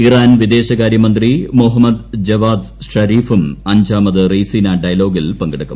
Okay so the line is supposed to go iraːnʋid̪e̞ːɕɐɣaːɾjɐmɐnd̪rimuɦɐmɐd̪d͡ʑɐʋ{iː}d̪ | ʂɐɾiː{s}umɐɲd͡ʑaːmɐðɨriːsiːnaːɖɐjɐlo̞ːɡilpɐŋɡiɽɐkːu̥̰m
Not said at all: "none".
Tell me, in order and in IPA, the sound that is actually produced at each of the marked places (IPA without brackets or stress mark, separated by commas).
aː, f